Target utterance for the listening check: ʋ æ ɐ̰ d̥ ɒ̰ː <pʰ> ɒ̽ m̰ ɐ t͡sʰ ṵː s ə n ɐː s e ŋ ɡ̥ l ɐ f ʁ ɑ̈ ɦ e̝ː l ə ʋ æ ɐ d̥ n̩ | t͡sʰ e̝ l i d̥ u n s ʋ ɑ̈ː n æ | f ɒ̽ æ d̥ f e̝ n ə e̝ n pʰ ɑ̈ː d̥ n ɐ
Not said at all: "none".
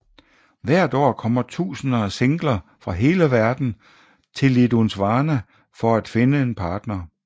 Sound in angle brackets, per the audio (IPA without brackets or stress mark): kʰ